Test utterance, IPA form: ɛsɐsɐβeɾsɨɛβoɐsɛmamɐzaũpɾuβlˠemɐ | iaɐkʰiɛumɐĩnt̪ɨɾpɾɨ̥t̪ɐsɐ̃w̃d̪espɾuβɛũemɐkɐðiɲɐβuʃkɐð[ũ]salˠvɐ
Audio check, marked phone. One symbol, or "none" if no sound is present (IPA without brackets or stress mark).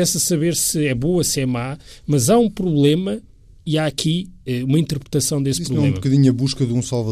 ũ